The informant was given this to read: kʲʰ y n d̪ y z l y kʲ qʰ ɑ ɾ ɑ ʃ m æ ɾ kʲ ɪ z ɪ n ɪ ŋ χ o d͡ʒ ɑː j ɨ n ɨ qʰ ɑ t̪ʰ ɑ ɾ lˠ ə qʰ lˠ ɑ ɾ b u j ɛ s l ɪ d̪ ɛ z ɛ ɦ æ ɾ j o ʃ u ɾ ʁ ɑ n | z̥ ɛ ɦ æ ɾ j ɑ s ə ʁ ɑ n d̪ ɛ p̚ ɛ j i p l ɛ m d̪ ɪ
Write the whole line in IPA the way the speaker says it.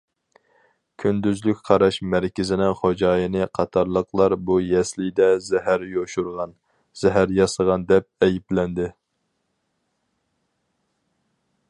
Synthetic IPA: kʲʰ y n d̪ y z l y kʲ qʰ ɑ ɾ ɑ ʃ m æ ɾ kʲ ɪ z ɪ n ɪ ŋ χ o d͡ʒ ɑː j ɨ n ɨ qʰ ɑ t̪ʰ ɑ ɾ lˠ ə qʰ lˠ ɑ ɾ b u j ɛ s l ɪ d̪ ɛ z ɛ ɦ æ ɾ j o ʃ u ɾ ʁ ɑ n | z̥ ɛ ɦ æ ɾ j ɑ s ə ʁ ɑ n d̪ ɛ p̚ ɛ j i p l ɛ n d̪ ɪ